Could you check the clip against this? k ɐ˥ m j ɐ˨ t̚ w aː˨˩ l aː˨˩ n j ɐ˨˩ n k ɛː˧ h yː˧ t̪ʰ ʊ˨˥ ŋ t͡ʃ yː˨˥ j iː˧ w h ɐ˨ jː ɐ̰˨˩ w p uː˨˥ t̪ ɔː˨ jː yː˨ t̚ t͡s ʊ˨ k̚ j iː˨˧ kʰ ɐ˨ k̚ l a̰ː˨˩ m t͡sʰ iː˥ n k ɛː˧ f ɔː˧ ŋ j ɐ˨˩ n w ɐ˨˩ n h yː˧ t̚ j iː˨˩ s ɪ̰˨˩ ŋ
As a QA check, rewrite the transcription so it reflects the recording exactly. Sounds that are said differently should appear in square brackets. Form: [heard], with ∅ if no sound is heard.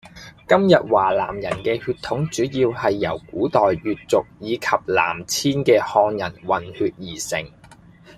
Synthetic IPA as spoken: k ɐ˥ m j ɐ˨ t̚ w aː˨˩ l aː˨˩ [m] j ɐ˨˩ n k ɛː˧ h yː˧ t̪ʰ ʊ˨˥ ŋ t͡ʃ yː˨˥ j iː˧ w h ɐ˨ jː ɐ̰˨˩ w [k] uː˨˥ t̪ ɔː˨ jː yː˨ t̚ t͡s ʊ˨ k̚ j iː˨˧ kʰ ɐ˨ [p̚] l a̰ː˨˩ m t͡sʰ iː˥ n k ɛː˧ [h] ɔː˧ ŋ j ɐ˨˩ n w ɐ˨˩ n h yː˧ t̚ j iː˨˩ s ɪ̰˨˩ ŋ